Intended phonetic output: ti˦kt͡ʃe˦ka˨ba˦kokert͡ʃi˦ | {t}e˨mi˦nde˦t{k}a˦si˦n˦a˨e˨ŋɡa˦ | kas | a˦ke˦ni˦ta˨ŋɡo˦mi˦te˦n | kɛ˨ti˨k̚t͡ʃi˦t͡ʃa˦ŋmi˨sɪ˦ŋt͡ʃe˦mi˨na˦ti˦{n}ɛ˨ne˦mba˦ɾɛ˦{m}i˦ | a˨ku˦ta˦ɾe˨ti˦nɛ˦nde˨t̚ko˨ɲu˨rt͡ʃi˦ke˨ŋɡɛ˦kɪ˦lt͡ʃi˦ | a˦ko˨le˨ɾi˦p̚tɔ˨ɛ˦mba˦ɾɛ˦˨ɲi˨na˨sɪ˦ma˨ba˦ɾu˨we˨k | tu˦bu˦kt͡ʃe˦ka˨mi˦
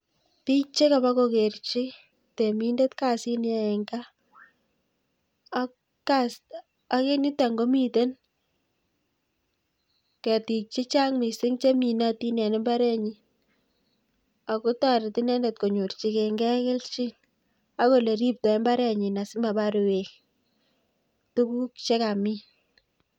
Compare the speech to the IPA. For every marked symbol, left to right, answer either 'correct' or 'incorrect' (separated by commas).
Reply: correct, correct, correct, incorrect